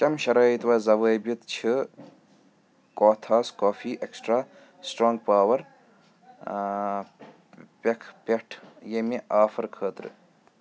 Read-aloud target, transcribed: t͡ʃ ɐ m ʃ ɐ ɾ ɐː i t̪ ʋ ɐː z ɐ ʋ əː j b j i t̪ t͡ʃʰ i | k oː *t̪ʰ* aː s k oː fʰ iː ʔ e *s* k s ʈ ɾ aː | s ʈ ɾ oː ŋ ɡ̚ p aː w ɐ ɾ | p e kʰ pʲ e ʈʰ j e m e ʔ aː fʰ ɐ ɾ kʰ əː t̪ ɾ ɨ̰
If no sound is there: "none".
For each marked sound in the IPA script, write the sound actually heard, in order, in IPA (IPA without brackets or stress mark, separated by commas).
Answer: t̪ʰ, none